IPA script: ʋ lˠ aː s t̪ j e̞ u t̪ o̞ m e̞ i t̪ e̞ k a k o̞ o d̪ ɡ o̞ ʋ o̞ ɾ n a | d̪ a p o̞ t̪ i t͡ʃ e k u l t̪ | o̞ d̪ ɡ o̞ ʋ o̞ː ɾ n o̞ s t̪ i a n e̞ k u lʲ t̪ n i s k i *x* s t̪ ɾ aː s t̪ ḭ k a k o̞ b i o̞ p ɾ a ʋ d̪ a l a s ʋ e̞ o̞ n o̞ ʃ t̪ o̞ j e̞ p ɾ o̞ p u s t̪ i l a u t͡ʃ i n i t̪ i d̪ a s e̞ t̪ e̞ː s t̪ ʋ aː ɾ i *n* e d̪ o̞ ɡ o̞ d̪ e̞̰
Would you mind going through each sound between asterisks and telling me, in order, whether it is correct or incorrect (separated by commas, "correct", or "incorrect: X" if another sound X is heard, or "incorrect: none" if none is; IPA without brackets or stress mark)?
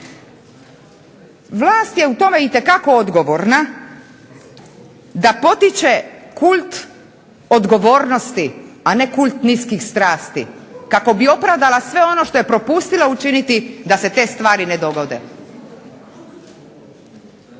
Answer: correct, correct